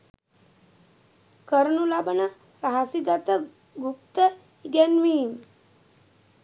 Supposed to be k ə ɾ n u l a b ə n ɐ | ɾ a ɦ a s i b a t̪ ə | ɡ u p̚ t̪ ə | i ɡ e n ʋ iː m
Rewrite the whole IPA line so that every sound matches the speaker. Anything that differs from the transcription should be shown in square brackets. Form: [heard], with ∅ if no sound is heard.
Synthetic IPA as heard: k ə ɾ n u l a b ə n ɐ | ɾ a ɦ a s i [ɡ] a t̪ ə | ɡ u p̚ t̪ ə | i ɡ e n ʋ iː m